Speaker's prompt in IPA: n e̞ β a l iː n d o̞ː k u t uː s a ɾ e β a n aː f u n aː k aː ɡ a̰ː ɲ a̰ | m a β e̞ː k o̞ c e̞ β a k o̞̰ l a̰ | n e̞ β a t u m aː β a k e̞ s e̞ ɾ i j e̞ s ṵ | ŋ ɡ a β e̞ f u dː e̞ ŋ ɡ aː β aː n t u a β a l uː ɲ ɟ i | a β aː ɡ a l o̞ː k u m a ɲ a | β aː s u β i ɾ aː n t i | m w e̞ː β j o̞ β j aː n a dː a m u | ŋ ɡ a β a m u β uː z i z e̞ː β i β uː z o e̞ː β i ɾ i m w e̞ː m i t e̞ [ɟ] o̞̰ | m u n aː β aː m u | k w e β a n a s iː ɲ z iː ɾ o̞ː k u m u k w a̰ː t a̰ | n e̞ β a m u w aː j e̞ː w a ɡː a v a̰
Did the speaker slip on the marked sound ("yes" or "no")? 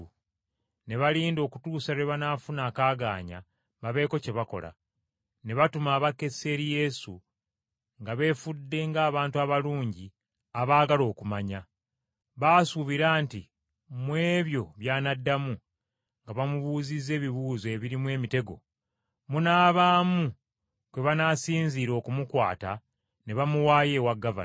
yes